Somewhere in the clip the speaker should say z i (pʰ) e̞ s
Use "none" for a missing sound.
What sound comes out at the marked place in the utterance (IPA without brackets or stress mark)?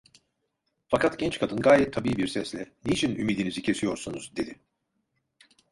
cʰ